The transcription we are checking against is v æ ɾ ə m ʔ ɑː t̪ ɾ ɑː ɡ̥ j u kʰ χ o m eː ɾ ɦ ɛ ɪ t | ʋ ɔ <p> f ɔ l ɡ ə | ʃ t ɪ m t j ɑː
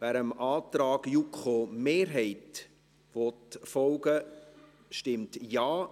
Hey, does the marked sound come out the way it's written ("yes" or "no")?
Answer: no